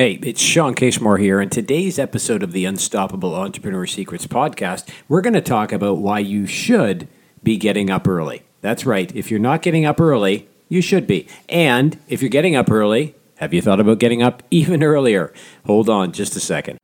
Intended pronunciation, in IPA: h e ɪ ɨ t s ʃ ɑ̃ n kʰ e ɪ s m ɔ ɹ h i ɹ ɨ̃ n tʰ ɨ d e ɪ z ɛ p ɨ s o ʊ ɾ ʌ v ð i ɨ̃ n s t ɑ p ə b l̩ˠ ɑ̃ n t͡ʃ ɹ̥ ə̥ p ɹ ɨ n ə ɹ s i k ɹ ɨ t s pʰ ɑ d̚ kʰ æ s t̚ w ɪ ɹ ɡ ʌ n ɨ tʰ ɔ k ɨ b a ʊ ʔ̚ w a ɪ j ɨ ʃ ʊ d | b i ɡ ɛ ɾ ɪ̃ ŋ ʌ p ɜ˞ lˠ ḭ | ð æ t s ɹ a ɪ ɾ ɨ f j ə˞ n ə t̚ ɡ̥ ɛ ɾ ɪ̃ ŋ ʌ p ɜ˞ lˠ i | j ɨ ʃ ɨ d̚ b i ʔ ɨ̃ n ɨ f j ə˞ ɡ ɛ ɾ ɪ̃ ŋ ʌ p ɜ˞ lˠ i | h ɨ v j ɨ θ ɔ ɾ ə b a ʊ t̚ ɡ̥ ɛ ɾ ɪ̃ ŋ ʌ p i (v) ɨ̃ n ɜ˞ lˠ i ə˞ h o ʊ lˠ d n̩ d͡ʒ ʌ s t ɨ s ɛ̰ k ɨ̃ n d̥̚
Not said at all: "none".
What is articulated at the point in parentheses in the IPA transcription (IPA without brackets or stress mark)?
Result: v